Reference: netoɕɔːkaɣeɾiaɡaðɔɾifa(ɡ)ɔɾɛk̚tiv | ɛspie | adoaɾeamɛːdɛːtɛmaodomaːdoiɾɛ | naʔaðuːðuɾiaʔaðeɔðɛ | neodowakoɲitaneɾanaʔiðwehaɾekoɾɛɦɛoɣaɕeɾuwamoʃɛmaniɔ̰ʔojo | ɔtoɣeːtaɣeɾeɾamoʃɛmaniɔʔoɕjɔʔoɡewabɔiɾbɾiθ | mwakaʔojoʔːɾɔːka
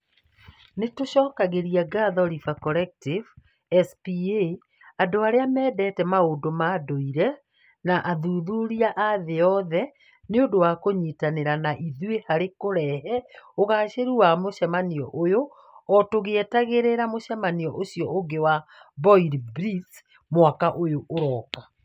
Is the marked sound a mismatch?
yes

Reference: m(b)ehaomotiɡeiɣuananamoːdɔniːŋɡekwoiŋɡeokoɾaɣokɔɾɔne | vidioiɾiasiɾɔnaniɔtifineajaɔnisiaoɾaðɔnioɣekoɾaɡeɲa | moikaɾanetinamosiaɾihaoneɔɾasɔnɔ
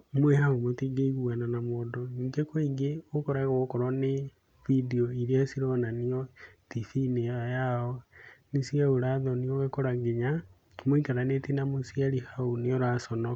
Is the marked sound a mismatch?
yes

